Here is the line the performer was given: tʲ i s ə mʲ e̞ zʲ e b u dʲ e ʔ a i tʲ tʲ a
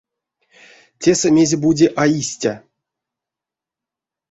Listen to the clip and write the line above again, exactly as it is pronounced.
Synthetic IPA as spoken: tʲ e s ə mʲ e̞ zʲ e b u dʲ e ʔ a i sʲ tʲ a